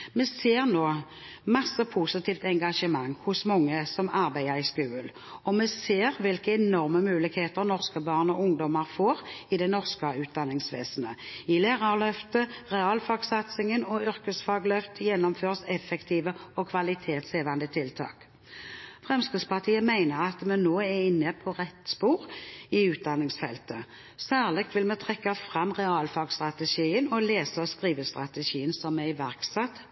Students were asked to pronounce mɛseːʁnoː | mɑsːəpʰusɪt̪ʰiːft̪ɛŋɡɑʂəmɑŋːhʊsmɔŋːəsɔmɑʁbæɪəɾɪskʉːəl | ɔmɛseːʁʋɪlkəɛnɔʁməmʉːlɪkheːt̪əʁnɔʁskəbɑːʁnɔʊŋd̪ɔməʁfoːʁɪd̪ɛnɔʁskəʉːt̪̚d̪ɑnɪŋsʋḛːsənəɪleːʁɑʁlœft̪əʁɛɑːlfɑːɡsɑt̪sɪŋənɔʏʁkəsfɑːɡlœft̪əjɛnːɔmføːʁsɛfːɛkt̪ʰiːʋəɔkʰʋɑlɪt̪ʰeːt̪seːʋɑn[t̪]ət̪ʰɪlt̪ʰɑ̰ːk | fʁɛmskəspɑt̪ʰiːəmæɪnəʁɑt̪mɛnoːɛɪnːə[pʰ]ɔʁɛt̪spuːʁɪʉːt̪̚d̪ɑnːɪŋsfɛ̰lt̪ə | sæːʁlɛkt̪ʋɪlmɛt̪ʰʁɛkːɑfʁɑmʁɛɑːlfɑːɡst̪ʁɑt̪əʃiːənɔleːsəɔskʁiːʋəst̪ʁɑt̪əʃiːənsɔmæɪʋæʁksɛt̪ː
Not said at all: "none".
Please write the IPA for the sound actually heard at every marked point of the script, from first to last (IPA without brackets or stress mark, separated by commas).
d̪, pʰ